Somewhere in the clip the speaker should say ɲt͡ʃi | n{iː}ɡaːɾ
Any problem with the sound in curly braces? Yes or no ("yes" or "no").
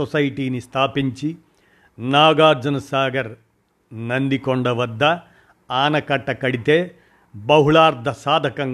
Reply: yes